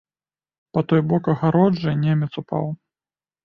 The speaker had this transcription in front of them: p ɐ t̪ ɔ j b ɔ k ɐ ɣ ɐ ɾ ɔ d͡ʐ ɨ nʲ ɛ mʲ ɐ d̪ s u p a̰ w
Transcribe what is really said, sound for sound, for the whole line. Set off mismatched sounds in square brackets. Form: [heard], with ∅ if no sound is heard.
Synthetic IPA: p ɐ t̪ ɔ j b ɔ k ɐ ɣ [a] ɾ ɔ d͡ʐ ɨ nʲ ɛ mʲ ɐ [t̪] s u p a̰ w